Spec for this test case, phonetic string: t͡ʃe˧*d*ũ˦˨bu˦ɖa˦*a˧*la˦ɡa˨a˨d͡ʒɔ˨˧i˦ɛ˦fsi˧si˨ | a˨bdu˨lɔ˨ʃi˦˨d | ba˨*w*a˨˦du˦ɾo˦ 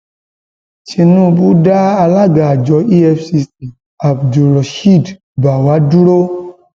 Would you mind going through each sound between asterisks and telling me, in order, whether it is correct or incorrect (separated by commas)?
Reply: incorrect, correct, correct